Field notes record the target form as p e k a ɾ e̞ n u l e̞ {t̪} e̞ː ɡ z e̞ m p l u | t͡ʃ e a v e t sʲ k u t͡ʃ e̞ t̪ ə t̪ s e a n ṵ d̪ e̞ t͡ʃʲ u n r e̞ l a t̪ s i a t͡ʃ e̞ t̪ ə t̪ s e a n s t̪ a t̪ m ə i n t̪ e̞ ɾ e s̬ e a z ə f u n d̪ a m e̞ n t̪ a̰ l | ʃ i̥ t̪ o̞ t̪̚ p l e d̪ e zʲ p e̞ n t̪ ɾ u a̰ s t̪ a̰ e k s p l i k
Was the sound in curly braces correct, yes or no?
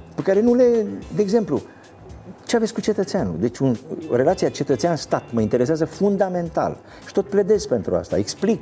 no